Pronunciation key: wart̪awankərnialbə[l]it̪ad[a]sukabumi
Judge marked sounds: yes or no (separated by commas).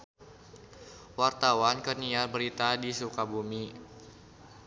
no, no